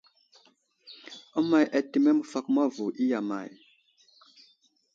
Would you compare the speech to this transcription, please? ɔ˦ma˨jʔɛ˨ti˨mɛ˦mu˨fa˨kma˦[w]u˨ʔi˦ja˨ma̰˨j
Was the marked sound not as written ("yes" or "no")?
yes